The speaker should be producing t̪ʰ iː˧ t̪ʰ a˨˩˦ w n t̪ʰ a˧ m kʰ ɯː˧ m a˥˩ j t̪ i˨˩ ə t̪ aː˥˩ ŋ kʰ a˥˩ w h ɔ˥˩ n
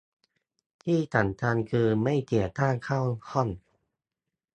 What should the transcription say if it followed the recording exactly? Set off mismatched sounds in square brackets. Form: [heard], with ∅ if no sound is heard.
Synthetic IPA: t̪ʰ [iː˥˩] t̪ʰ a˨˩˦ [∅] n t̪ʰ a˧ [n] kʰ ɯː˧ m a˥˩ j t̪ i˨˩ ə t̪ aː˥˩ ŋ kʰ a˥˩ w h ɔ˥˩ n